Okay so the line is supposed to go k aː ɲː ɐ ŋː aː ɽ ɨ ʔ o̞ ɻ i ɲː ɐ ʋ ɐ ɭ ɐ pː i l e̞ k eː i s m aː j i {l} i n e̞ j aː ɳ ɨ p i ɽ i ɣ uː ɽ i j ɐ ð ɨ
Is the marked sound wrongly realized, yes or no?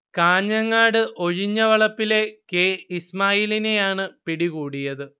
no